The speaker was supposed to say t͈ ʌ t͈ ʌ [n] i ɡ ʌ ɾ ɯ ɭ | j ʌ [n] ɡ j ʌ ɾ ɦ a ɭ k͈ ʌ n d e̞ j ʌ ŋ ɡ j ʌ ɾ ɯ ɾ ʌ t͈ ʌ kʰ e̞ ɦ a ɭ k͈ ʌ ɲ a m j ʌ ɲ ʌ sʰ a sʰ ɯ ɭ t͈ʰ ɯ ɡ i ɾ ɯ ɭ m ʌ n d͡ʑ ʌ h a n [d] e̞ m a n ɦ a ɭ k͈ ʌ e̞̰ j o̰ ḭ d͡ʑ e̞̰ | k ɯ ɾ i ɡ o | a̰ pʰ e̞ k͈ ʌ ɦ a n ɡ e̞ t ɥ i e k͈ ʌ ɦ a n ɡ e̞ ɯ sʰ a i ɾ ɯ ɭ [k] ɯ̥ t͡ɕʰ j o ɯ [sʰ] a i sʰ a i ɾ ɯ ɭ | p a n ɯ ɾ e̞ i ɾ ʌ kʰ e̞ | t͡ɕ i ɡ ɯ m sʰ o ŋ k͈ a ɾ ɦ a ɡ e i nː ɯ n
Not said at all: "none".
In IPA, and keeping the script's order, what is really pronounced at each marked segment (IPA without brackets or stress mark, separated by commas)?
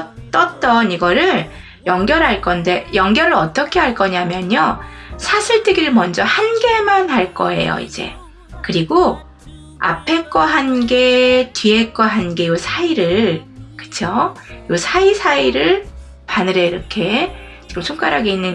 n, ŋ, ɡ, k, sʰ